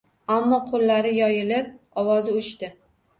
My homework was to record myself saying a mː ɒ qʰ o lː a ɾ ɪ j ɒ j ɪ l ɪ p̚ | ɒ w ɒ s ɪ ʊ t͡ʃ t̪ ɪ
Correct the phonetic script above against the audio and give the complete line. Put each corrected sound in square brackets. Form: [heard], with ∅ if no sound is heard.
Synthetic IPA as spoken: a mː ɒ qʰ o lː a ɾ ɪ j ɒ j ɪ l ɪ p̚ | ɒ w ɒ [z] ɪ ʊ t͡ʃ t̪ ɪ